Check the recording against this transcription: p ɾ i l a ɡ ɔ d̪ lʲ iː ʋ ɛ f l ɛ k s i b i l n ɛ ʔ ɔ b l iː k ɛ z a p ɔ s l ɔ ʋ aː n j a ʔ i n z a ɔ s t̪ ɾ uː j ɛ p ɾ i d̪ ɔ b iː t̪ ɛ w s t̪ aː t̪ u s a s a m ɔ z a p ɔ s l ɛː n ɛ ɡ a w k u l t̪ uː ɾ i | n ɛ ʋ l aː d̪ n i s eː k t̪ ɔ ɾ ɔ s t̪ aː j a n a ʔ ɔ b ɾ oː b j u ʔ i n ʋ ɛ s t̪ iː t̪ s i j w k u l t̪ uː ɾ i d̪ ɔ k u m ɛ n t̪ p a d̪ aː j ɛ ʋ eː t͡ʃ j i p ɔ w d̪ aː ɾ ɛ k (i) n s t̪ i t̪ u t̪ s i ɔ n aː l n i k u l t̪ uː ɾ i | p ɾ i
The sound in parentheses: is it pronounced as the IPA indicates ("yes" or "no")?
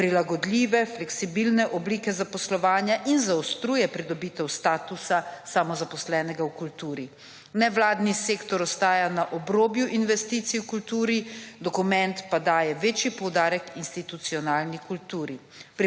yes